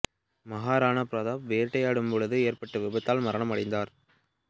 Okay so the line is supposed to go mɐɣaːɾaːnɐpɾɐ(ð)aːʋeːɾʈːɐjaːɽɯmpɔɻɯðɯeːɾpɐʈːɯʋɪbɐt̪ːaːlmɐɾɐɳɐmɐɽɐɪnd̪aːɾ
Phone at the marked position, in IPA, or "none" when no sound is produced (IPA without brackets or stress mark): ð